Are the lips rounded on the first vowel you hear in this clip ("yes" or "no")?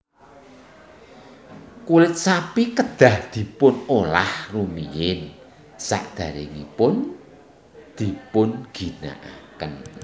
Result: yes